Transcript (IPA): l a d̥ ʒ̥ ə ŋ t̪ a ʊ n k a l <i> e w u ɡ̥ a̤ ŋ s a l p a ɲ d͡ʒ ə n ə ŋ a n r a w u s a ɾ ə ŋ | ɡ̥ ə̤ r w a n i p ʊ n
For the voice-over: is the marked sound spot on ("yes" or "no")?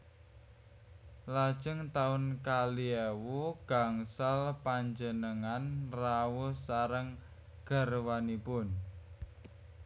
yes